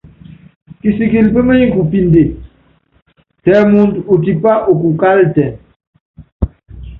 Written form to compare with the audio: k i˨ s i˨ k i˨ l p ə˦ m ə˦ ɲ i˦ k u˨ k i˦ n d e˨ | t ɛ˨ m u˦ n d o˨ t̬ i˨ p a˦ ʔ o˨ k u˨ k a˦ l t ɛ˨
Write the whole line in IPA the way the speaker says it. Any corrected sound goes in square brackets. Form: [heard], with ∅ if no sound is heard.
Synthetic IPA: k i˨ s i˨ k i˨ l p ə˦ m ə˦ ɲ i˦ k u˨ [p] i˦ n d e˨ | t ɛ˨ m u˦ n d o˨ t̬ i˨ p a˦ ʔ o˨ k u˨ k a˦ l t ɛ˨